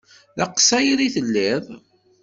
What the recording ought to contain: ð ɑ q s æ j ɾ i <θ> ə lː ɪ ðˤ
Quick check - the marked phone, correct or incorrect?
correct